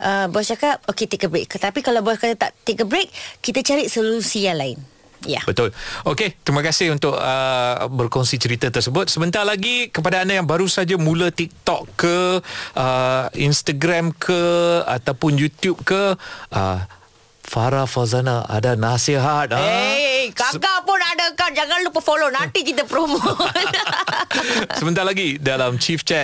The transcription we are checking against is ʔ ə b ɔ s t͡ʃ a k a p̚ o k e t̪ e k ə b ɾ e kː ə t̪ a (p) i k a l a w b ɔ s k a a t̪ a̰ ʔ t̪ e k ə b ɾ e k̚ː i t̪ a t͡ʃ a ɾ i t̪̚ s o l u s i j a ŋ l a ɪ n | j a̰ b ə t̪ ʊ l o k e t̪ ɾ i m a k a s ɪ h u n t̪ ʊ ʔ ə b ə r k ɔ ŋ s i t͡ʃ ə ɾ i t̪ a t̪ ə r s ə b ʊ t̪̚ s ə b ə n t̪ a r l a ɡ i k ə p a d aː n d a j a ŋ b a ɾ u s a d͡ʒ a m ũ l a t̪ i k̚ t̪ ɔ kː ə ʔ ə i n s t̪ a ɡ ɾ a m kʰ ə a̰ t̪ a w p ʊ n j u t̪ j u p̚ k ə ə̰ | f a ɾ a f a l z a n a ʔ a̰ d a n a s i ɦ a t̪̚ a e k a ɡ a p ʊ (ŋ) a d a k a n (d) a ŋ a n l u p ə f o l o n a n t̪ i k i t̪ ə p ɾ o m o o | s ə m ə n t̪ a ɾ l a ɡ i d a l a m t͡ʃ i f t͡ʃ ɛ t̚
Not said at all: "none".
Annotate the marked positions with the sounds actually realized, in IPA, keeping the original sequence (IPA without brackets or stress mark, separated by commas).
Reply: p, n, d͡ʒ